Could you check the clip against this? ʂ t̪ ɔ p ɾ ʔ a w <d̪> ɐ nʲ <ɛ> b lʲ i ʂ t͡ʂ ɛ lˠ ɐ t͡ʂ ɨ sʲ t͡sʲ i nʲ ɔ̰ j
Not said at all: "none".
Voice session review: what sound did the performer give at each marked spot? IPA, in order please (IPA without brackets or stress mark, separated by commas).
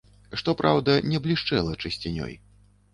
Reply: d̪, ɛ